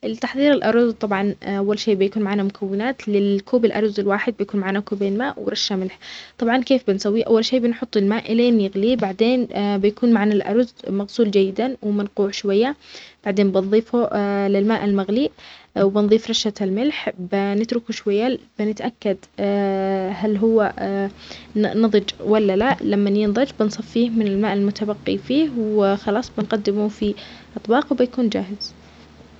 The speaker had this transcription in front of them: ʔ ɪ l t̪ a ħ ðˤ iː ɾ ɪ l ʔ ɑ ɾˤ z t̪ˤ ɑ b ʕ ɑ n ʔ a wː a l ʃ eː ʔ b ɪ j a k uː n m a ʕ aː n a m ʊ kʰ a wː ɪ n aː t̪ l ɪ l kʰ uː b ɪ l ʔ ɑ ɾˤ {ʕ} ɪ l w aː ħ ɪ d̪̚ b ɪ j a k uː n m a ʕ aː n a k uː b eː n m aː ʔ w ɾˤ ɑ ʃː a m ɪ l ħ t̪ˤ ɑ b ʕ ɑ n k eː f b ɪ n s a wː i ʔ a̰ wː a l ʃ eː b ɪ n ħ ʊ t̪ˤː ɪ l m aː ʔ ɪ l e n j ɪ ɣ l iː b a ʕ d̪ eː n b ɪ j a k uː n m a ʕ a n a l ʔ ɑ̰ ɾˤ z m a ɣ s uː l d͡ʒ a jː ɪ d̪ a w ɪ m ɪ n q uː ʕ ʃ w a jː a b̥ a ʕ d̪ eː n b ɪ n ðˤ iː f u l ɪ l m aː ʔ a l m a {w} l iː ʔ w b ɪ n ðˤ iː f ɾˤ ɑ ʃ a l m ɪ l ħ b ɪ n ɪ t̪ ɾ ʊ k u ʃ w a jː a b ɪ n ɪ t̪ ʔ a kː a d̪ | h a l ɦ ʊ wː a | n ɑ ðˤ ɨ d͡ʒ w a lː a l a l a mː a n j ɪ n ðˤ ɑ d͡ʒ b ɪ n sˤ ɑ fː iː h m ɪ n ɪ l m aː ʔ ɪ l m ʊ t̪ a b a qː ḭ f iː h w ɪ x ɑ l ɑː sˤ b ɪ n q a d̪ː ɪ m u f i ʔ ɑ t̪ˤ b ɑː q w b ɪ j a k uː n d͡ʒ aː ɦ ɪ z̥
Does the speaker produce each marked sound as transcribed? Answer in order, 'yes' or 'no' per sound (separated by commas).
no, no